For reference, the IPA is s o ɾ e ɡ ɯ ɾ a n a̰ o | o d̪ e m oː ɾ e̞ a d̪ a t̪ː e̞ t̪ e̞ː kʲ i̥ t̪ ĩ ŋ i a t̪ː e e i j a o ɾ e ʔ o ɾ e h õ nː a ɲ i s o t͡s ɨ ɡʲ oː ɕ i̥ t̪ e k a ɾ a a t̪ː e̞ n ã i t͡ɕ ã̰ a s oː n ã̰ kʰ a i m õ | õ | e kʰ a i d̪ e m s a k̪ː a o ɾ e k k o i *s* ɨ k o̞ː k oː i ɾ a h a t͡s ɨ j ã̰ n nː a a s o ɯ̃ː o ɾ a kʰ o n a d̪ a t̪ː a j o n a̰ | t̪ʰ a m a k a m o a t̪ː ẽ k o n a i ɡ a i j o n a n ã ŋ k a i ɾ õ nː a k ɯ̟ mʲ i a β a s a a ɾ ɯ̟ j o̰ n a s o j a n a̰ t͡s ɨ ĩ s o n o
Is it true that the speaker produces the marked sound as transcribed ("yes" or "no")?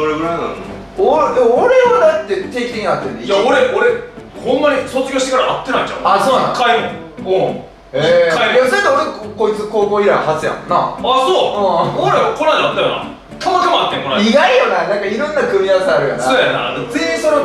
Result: no